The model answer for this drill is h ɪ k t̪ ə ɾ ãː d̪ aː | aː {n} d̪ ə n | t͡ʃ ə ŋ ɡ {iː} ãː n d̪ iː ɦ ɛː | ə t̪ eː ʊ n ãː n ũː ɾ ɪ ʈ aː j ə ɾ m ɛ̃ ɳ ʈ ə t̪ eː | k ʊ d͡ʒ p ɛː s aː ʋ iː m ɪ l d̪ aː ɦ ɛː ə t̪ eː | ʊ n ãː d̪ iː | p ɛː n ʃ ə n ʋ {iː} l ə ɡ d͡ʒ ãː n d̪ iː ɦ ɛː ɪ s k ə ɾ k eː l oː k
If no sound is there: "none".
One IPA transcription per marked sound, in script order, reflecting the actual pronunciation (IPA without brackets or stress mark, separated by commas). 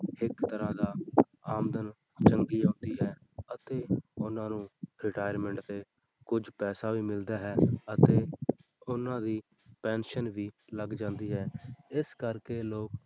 m, iː, iː